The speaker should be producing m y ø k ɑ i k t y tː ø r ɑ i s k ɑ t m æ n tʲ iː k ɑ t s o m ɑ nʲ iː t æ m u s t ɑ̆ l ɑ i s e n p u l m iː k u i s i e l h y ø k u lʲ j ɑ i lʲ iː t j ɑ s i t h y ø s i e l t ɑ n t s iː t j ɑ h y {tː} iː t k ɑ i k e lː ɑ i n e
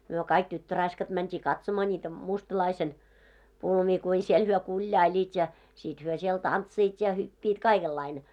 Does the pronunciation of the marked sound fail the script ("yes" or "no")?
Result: yes